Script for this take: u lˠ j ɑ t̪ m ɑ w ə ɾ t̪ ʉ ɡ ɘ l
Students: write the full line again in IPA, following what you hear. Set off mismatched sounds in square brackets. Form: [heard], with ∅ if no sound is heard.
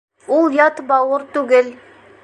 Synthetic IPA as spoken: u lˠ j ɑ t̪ [b] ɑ w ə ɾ t̪ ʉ ɡ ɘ l